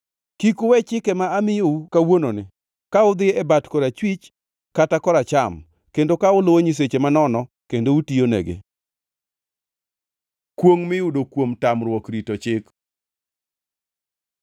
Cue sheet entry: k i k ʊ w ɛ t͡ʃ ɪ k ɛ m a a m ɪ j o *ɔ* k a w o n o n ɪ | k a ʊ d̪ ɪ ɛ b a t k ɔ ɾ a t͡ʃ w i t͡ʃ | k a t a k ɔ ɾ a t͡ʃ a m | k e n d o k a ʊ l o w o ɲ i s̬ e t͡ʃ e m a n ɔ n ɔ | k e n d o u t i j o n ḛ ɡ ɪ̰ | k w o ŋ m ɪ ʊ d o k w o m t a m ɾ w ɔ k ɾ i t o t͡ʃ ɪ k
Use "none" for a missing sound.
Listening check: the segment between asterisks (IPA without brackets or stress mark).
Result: u